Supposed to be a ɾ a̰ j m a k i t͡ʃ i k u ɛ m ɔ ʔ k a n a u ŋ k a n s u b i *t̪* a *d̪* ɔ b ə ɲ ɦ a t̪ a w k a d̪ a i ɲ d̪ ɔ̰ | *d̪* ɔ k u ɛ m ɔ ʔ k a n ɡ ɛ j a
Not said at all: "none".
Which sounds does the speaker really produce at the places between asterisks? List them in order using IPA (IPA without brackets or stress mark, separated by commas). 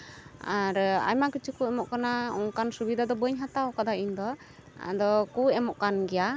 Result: d̪, d̪, d̪